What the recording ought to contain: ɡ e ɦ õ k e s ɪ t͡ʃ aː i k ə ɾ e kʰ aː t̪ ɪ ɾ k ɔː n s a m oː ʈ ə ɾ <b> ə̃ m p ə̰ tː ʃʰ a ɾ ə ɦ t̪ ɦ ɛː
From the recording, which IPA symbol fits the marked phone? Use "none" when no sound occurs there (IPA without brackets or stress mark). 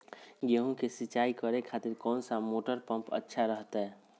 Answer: p